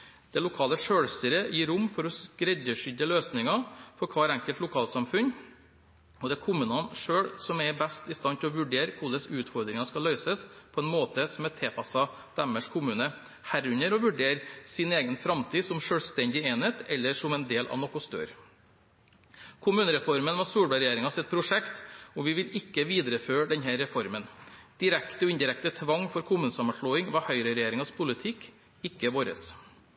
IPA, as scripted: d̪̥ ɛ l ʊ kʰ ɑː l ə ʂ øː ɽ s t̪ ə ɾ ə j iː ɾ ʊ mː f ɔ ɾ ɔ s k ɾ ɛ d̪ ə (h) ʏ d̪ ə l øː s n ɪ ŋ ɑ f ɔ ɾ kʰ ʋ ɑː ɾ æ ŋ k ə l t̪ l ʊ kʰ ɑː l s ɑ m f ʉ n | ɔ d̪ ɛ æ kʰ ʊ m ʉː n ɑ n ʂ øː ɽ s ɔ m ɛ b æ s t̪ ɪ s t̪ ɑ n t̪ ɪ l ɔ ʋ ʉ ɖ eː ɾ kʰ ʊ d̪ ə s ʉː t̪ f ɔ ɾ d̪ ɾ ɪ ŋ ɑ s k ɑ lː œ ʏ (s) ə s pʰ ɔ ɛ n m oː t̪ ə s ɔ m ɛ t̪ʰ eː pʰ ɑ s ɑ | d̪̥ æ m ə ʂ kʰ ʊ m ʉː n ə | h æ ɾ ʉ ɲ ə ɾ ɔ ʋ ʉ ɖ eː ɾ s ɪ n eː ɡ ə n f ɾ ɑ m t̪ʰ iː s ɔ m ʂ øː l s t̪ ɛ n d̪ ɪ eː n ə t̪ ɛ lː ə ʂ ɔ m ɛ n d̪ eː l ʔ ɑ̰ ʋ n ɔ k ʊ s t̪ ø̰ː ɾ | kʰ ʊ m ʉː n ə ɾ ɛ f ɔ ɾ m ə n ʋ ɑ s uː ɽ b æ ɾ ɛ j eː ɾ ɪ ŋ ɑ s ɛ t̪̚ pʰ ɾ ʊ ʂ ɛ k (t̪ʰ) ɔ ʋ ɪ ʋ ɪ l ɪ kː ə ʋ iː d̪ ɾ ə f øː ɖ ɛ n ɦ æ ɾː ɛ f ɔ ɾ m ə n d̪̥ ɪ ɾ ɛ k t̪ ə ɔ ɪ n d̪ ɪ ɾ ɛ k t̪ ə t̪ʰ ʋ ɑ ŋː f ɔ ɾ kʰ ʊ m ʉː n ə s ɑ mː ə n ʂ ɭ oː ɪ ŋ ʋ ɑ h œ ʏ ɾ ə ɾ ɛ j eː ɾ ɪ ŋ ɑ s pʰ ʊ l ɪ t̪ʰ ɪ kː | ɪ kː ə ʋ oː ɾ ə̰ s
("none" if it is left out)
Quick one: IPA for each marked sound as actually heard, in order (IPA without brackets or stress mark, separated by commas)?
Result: ʂ, s, t̪